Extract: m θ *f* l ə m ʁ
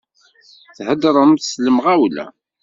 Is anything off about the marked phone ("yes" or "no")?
yes